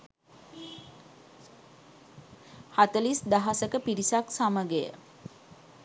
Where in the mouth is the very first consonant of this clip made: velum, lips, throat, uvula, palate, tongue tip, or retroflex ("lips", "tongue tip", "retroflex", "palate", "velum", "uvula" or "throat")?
throat